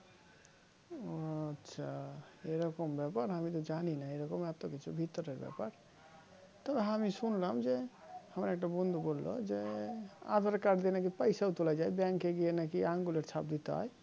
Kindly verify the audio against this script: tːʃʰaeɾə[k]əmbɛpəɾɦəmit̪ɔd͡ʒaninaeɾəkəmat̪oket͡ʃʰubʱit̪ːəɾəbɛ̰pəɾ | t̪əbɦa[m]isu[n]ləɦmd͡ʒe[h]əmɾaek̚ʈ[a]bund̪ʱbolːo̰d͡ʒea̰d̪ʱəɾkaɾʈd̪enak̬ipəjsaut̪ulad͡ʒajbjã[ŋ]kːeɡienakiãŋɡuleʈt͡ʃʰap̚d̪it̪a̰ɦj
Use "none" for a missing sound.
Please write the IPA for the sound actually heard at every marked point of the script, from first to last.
k, m, n, h, a, ŋ

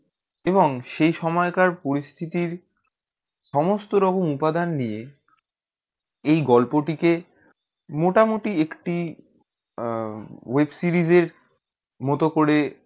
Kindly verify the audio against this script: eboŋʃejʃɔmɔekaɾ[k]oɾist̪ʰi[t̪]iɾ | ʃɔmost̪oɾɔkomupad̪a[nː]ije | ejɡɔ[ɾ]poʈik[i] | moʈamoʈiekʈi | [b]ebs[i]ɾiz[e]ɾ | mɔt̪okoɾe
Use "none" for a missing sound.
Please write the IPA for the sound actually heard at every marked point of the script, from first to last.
p, t̪, nː, l, e, w, i, e

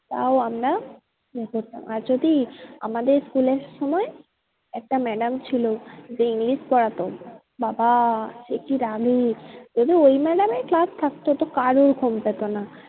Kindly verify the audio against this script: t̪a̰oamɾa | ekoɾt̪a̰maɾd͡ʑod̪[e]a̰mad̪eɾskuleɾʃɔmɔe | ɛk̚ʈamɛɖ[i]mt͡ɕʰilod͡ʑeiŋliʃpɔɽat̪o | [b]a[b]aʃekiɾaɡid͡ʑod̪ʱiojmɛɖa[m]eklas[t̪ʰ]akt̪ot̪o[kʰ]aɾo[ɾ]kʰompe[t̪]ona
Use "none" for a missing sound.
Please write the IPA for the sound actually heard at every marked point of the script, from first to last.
i, a, b, b, m, t̪ʰ, k, ɾ, t̪

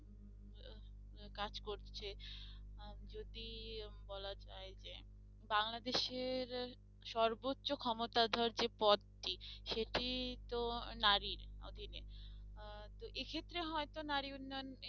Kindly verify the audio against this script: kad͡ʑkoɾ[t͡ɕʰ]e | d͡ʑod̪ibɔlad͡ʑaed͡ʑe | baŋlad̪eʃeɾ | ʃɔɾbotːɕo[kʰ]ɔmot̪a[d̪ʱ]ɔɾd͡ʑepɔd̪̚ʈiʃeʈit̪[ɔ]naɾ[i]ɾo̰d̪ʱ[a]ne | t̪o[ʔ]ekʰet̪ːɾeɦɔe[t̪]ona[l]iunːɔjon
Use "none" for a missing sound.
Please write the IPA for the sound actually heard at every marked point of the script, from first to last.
t͡ɕʰ, kʰ, d̪ʱ, o, i, i, ʔ, t̪, ɾ

